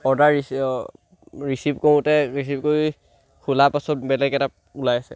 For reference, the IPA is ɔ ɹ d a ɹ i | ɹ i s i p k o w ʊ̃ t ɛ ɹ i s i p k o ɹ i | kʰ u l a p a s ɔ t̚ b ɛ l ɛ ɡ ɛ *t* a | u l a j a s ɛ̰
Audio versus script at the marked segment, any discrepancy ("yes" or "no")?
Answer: no